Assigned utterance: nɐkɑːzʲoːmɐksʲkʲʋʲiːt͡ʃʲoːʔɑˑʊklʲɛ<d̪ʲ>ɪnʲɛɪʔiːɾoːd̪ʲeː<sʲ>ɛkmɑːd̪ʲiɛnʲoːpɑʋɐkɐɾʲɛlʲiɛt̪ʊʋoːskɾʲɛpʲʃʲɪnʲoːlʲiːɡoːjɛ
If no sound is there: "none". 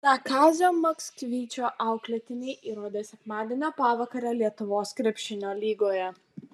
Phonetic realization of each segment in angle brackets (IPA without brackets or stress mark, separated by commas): t̪ʲ, sʲ